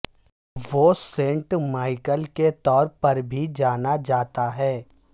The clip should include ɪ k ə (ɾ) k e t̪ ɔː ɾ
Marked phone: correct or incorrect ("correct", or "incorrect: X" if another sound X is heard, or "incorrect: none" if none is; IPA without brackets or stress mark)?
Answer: incorrect: l